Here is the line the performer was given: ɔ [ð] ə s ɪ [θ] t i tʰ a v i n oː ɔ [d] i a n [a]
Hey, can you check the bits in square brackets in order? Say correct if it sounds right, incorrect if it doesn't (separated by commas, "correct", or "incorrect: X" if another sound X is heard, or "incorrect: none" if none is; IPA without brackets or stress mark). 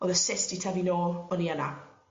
correct, incorrect: s, incorrect: n, correct